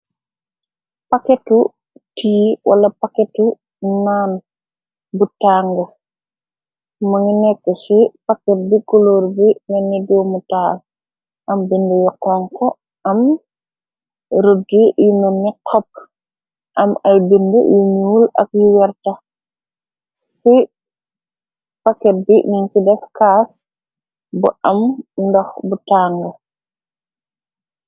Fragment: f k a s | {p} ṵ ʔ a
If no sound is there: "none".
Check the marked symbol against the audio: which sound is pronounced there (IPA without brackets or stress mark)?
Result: b